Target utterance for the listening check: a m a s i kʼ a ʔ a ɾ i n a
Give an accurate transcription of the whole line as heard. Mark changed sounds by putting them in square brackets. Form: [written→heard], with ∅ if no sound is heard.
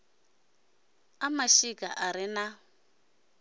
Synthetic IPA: a m a [s→ʃ] i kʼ a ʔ a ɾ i n a

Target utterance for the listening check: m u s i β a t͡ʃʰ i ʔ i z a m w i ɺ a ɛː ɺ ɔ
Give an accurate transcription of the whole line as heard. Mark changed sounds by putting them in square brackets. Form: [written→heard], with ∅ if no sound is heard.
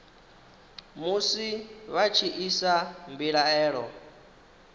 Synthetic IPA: m u s i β a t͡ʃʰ i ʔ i [z→s] a m [w→b] i ɺ a ɛː ɺ ɔ

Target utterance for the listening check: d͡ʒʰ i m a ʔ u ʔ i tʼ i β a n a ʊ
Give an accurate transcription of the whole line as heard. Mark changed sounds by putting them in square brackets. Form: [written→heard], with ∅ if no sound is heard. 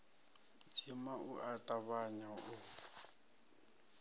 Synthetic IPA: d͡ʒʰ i m a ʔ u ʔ [i→a] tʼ [i→a] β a [n→ɲ] a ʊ

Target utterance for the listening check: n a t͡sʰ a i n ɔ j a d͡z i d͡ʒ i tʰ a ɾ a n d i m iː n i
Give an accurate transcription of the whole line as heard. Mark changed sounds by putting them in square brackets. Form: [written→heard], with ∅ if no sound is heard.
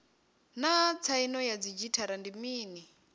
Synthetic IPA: n a t͡sʰ a i n ɔ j a d͡z i d͡ʒ i tʰ a ɾ a n d i m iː n i

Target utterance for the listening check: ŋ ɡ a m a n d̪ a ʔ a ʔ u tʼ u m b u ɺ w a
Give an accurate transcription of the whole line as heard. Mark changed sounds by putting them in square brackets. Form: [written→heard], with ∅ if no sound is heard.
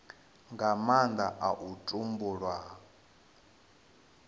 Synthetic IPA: ŋ ɡ a m a n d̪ a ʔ a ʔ u tʼ u m b u ɺ w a

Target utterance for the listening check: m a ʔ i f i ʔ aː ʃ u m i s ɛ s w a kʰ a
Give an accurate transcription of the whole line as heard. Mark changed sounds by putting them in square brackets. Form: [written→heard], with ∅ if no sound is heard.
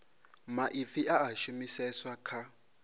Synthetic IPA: m a ʔ i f i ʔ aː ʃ u m i s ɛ s w a kʰ a

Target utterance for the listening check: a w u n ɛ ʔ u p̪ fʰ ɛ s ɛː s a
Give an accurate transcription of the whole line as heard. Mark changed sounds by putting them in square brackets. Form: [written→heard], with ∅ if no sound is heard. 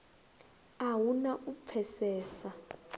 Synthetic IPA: a w u n [ɛ→a] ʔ u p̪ fʰ ɛ s ɛː s a

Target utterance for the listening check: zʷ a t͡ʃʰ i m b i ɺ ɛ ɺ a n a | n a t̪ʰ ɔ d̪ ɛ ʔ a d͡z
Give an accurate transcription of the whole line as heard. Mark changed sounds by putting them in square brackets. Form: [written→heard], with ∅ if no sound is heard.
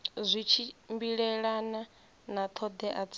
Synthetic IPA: zʷ [a→i] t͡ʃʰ i m b i ɺ ɛ ɺ a n a | n a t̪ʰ ɔ d̪ ɛ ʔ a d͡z

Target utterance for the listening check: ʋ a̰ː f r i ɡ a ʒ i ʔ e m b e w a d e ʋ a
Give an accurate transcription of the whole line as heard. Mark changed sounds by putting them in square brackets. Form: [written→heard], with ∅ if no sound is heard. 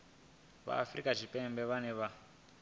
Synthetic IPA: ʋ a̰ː f r i [ɡ→k] a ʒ i [ʔ→p] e m b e [w→ʋ] a [d→n] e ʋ a

